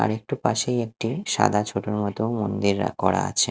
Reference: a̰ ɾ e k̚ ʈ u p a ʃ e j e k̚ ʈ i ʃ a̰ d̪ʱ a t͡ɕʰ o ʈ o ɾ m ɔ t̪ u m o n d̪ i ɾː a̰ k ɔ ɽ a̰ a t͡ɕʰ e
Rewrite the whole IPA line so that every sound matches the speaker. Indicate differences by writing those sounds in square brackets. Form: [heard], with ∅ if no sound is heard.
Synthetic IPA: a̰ ɾ e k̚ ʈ u p a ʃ e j e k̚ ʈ i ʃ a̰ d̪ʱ a t͡ɕʰ o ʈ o ɾ m ɔ t̪ [o] m o n d̪ i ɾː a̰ k ɔ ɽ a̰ a t͡ɕʰ e